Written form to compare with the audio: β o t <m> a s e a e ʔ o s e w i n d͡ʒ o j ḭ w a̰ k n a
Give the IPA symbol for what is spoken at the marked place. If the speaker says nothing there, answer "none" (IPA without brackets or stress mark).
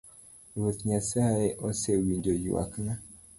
ɲ